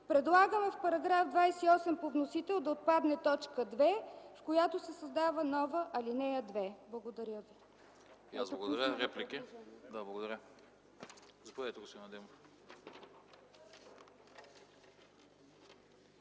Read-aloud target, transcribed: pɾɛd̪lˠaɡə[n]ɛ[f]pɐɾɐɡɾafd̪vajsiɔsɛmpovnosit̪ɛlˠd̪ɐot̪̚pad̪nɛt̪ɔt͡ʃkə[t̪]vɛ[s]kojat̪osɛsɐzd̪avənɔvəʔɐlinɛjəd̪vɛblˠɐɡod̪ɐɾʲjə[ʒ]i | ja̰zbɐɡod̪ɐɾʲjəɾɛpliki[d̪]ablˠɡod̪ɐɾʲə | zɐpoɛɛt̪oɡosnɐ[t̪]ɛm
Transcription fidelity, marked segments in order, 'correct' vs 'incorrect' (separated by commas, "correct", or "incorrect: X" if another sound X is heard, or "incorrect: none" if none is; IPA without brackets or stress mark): incorrect: m, correct, incorrect: d̪, incorrect: f, incorrect: v, correct, incorrect: d̪